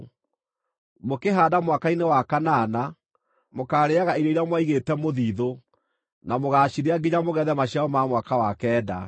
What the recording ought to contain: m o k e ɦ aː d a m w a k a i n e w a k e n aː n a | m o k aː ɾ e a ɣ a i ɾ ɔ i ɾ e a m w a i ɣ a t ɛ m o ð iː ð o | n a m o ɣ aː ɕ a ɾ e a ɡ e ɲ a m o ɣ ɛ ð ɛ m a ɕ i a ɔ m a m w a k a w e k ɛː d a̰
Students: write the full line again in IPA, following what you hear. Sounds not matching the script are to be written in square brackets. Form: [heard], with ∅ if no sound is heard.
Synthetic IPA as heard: m o k e ɦ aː d a m w a k a i n e w a k [a] n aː n a | m o k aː ɾ e a ɣ a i ɾ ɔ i ɾ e a m w a i ɣ [e] t ɛ m o ð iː ð o | n a m o ɣ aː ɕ [i] ɾ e a ɡ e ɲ a m o ɣ ɛ ð ɛ m a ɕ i a ɔ m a m w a k a w [a] k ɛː d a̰